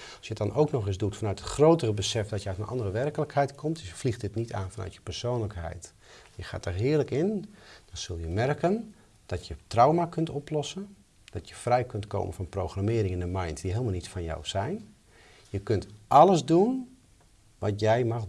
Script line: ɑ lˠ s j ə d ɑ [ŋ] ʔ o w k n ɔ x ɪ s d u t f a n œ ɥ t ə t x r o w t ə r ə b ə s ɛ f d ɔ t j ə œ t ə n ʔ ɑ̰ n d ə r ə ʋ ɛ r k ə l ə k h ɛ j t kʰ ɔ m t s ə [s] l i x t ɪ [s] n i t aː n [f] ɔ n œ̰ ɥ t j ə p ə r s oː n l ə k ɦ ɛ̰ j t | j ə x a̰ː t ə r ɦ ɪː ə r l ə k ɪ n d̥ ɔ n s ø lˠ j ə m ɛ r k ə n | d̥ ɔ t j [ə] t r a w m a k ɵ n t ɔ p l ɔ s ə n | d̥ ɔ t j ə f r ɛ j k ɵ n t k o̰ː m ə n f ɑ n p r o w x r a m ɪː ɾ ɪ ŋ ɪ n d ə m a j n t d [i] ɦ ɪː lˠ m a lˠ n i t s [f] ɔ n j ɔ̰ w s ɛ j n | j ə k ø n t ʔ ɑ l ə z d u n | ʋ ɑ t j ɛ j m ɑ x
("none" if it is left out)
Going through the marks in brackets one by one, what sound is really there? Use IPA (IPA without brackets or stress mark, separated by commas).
n, f, t, f, ə, i, f